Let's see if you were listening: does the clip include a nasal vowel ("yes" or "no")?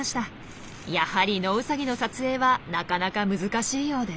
no